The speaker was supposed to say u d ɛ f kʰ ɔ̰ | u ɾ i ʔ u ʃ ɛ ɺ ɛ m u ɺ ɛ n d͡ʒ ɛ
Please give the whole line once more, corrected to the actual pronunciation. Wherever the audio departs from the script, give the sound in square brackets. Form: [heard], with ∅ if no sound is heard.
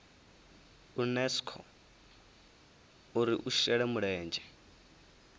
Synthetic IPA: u [n] ɛ [s] kʰ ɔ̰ | u ɾ i ʔ u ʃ ɛ ɺ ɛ m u ɺ [ɛː] n d͡ʒ ɛ